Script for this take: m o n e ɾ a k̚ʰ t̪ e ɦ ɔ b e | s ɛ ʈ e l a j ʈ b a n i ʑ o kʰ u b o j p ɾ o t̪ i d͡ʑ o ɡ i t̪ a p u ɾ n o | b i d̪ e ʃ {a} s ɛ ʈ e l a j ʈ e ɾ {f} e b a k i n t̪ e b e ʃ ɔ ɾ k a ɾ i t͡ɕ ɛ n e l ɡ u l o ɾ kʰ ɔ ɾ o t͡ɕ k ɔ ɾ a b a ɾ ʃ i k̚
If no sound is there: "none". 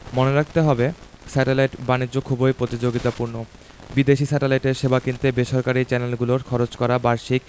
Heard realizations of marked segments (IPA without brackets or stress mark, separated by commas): i, ʃ